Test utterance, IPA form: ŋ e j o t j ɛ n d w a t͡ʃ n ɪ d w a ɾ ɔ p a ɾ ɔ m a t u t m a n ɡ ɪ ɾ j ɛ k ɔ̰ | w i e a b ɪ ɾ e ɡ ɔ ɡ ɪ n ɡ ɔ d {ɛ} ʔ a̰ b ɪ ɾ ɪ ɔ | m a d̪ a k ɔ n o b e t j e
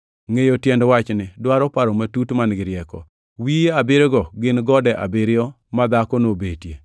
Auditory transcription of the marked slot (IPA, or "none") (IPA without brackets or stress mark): ɛ